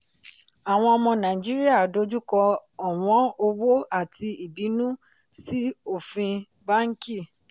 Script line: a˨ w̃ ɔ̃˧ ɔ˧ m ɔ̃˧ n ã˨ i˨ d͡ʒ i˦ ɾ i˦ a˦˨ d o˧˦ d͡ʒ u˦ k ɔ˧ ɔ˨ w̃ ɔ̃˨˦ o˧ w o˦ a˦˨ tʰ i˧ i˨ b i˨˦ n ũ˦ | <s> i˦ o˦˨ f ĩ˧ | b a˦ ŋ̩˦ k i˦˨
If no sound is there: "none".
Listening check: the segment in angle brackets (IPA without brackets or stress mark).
s